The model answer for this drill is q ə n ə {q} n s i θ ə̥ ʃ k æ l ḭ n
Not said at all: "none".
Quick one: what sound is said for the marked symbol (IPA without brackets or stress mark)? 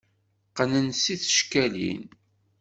none